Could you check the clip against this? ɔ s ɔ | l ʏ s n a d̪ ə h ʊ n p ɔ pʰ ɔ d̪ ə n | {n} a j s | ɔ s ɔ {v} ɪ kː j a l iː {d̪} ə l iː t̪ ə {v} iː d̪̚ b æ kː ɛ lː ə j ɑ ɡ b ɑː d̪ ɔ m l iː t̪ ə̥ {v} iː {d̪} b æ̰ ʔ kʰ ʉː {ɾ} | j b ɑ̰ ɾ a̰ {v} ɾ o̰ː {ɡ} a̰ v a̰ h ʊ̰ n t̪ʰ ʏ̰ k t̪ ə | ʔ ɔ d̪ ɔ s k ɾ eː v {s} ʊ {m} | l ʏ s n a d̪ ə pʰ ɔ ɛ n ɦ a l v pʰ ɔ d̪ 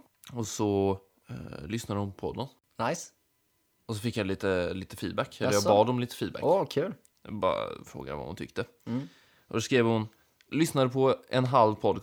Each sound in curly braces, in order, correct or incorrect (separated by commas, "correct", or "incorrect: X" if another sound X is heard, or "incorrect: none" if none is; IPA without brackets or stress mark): correct, incorrect: f, incorrect: t̪, incorrect: f, incorrect: f, correct, incorrect: l, incorrect: f, correct, incorrect: h, incorrect: n